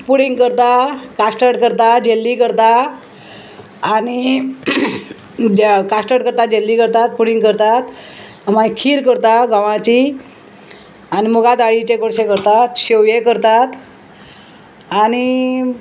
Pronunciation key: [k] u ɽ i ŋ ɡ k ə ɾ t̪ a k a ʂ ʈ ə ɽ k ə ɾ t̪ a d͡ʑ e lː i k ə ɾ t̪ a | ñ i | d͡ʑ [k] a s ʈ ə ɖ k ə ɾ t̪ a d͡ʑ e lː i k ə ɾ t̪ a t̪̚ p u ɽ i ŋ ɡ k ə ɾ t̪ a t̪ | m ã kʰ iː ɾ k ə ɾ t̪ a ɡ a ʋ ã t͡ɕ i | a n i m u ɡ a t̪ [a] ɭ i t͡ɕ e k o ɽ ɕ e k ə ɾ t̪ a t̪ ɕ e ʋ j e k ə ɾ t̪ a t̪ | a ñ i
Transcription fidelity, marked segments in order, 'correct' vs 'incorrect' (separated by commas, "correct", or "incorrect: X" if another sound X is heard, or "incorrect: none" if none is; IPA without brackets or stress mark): incorrect: p, correct, correct